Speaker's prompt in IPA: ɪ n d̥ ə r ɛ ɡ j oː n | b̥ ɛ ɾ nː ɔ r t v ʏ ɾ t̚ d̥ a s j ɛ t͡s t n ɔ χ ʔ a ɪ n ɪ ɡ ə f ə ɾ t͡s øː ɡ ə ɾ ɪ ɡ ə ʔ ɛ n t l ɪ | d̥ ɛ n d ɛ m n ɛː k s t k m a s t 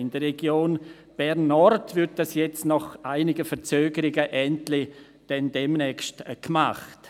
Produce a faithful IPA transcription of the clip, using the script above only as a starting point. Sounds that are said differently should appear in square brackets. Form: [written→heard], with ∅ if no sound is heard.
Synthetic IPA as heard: ɪ n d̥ ə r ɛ ɡ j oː n | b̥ ɛ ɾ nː ɔ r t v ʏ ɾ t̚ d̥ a s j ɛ t͡s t n ɔ χ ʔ a ɪ n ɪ ɡ ə f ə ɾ t͡s øː ɡ ə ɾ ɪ ɡ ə ʔ ɛ n t l ɪ | d̥ ɛ n d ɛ m n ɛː k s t k m a [s→χ] t